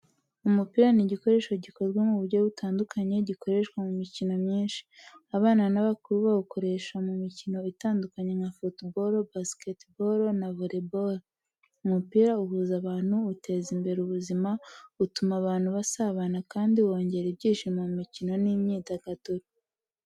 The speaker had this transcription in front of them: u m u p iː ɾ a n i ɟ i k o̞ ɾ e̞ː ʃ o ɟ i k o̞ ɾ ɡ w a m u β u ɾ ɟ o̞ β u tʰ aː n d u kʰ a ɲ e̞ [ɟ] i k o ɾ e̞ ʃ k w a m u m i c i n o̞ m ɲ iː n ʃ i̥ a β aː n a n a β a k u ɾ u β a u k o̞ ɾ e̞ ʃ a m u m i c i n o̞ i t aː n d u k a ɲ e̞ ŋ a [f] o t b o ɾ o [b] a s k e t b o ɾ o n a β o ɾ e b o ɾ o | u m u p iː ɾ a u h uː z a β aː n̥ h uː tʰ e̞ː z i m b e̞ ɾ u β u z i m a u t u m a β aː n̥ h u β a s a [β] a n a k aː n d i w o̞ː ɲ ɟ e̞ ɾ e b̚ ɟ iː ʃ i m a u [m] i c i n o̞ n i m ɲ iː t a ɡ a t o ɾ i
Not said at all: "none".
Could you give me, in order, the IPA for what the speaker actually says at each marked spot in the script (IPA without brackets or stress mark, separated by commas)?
ɟ, f, b, β, m